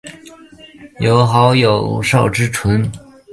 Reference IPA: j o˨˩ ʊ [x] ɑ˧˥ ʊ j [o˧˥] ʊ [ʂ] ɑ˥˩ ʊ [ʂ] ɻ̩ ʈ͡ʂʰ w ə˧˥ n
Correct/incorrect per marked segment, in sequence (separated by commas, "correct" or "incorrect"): correct, incorrect, correct, incorrect